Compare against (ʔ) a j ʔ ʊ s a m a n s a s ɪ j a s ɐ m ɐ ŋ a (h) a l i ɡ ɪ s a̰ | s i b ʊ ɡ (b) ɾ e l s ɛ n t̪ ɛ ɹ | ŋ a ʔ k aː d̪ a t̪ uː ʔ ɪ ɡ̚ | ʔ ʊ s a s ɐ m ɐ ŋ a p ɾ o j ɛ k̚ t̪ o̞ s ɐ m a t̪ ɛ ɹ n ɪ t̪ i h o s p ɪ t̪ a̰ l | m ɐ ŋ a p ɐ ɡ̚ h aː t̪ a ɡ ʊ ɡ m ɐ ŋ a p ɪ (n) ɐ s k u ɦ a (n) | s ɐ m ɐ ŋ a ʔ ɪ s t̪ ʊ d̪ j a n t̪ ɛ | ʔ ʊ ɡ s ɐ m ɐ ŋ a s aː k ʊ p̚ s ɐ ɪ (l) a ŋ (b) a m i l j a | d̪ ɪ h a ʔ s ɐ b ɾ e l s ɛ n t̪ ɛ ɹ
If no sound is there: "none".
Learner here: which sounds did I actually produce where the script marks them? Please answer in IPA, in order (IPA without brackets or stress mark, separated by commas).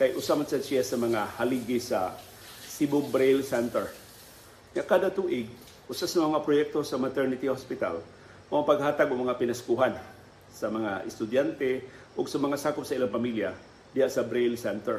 k, h, b, n, n, l, p